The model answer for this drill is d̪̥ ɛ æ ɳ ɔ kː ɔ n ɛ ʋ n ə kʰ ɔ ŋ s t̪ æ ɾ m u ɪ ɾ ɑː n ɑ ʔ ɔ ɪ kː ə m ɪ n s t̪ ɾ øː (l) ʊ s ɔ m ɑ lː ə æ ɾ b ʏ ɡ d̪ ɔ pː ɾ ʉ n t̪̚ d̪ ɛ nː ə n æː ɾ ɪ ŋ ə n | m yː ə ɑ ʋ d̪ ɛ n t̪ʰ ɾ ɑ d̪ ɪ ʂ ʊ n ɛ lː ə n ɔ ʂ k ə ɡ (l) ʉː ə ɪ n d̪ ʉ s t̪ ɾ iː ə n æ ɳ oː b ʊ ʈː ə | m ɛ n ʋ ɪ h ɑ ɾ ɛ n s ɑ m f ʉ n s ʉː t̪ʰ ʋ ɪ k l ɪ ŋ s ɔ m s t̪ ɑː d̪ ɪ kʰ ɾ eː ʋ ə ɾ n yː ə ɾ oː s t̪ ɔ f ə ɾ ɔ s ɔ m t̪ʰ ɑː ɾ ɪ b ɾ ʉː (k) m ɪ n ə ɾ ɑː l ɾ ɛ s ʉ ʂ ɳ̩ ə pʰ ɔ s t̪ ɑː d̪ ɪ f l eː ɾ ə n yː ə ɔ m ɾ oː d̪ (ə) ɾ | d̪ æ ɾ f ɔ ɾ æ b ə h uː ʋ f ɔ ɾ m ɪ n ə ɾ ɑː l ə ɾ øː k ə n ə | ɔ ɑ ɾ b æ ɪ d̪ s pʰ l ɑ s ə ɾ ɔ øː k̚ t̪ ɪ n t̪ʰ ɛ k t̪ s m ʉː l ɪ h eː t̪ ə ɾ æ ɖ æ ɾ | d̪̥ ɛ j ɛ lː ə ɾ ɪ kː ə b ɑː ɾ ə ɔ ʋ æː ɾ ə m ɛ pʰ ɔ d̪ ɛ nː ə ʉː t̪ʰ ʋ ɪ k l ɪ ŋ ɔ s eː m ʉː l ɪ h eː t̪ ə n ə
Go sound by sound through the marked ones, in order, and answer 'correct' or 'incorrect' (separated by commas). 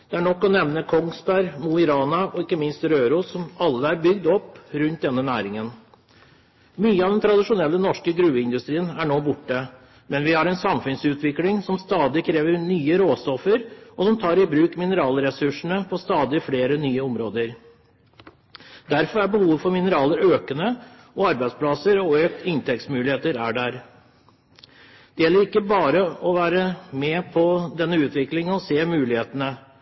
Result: incorrect, incorrect, correct, correct